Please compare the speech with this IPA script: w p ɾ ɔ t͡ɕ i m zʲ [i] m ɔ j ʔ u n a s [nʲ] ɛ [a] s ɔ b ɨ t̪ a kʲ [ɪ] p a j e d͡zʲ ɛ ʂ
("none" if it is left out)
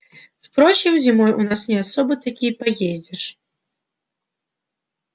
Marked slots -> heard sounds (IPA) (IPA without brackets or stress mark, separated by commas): i, nʲ, a, i